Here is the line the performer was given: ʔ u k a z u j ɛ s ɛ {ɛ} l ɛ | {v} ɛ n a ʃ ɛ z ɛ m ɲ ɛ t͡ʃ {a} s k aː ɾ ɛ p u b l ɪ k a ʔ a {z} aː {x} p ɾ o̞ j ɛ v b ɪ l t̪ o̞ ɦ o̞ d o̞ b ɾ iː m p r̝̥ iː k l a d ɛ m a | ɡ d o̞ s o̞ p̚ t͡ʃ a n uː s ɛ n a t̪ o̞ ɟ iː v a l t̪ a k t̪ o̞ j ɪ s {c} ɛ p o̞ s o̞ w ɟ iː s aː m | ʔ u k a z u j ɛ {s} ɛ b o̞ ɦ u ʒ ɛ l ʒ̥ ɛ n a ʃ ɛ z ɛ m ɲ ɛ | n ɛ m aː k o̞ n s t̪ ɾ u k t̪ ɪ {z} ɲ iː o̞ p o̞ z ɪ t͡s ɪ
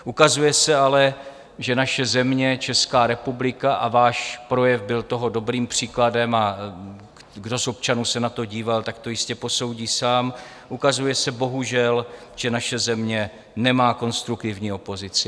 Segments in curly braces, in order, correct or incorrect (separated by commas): incorrect, incorrect, incorrect, incorrect, incorrect, correct, correct, incorrect